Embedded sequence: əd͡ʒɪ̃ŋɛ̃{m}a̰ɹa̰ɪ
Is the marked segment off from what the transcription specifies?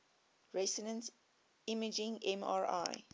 no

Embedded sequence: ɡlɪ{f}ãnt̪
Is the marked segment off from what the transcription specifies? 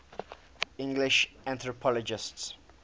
yes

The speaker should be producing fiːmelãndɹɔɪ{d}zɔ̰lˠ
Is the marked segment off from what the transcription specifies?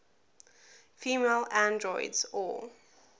no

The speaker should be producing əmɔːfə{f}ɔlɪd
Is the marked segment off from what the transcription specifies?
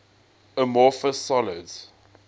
yes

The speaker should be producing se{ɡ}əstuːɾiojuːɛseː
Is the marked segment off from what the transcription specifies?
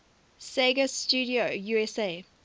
no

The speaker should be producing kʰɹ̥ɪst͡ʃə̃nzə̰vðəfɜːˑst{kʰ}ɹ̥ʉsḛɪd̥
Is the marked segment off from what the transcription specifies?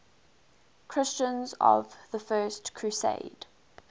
no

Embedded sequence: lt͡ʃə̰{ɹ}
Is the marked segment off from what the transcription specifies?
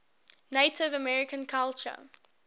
yes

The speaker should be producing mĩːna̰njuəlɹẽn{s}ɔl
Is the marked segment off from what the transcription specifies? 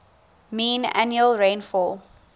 yes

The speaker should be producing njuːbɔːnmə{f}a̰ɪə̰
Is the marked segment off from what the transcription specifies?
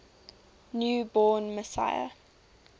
yes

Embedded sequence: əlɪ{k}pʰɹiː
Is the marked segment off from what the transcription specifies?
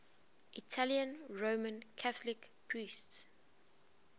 no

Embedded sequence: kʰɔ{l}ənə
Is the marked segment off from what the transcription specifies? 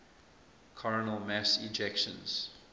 yes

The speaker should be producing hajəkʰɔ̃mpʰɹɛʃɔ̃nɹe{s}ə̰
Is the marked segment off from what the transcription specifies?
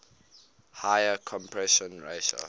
yes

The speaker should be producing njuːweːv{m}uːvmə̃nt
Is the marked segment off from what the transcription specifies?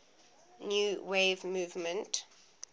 no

